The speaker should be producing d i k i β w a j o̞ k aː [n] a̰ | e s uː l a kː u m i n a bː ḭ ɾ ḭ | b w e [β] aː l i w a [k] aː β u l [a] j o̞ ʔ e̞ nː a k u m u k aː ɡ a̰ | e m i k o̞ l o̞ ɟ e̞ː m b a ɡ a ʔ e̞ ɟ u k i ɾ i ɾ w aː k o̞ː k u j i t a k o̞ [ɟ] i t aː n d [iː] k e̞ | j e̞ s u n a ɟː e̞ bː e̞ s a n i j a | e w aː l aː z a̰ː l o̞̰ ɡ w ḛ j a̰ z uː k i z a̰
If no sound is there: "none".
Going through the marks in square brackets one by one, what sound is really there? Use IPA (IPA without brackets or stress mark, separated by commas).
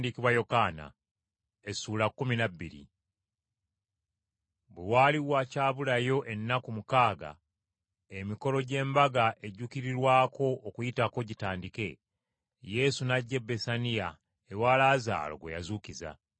n, w, c, a, ɟ, i